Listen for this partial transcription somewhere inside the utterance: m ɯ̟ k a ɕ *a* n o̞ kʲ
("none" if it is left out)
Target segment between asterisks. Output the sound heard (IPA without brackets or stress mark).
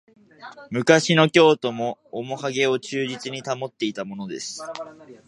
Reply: i